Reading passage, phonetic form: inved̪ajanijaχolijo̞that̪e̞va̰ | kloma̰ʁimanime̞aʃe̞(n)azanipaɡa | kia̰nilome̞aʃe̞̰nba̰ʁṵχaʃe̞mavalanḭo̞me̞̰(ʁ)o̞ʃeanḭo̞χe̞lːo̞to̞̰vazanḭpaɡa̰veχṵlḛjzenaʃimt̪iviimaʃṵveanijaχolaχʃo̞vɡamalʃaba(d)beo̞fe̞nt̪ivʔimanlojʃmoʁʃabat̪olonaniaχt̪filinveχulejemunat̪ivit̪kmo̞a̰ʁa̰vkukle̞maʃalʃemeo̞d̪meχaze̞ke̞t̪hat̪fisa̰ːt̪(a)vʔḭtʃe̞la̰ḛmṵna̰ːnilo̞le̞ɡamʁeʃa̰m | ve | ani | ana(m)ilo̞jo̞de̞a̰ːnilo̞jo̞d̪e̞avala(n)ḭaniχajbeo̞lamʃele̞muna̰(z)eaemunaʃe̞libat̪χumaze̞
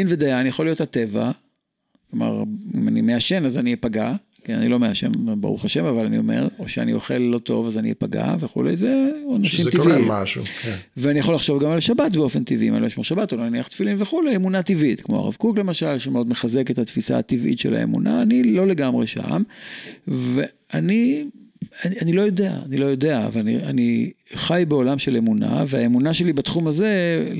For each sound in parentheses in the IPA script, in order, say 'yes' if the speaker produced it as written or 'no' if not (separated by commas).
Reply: yes, yes, no, no, no, yes, no